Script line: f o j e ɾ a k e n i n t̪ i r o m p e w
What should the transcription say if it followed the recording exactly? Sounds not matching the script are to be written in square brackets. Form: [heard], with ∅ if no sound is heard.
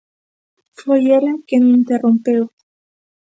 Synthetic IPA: f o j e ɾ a k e n i n t̪ [e] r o m p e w